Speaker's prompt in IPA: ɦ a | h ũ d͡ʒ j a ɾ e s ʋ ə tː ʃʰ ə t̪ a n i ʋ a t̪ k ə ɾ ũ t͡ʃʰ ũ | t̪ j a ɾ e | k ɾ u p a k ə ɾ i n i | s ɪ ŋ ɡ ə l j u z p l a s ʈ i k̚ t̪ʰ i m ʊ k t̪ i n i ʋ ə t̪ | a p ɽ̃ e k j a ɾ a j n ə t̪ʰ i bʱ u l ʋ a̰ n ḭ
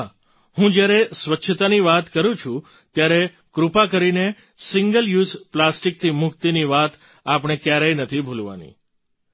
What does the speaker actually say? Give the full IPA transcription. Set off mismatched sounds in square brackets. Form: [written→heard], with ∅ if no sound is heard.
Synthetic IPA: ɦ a | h ũ d͡ʒ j a ɾ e s ʋ ə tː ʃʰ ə t̪ a n i ʋ a t̪ k ə ɾ ũ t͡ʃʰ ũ | t̪ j a ɾ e | k ɾ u p a k ə ɾ i n [i→e] | s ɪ ŋ ɡ ə l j u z p l a s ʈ i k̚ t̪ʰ i m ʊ k t̪ i n i ʋ [ə→a] t̪ | a p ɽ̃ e k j a ɾ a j n ə t̪ʰ i bʱ u l ʋ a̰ n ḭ